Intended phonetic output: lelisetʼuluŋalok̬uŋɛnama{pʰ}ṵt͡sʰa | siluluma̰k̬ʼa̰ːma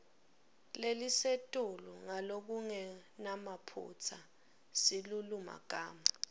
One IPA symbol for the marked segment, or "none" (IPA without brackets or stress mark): pʰ